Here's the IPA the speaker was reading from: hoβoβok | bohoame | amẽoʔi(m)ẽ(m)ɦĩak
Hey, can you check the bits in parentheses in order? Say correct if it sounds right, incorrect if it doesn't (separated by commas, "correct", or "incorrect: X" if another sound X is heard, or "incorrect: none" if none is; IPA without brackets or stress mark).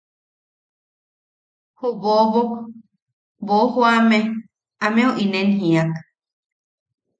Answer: incorrect: n, incorrect: n